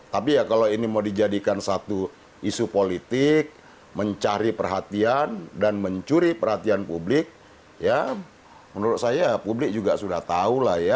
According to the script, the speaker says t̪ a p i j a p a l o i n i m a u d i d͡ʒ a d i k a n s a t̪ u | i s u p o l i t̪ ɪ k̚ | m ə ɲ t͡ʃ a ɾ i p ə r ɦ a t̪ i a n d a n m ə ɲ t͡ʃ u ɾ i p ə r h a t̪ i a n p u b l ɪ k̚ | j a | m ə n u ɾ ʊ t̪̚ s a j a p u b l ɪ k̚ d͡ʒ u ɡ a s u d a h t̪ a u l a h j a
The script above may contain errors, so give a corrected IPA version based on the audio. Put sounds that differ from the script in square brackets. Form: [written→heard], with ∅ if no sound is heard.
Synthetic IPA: t̪ a p i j a [p→k] a l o i n i m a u d i d͡ʒ a d i k a n s a t̪ u | i s u p o l i t̪ ɪ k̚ | m ə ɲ t͡ʃ a ɾ i p ə r ɦ a t̪ i a n d a n m ə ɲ t͡ʃ u ɾ i p ə r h a t̪ i a n p u b l ɪ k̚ | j a | m ə n u ɾ ʊ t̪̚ s a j a p u b l ɪ k̚ d͡ʒ u ɡ a s u d a h t̪ a u l a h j a